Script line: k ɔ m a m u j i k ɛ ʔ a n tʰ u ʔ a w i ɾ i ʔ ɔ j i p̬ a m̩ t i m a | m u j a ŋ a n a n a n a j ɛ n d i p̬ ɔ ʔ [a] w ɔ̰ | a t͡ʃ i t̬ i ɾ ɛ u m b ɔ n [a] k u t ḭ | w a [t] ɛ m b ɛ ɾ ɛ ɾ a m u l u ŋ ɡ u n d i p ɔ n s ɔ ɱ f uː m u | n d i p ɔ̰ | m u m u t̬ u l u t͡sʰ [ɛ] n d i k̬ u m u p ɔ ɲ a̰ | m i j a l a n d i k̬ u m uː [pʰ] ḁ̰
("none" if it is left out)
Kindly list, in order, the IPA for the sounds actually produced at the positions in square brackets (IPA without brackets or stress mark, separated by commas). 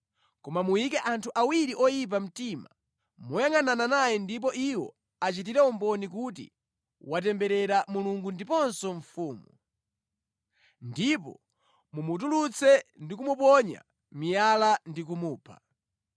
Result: i, i, t, ɛ, pʰ